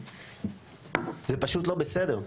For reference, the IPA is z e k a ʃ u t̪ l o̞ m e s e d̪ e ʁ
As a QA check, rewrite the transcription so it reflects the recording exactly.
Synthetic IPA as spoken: z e p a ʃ u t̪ l o̞ b e s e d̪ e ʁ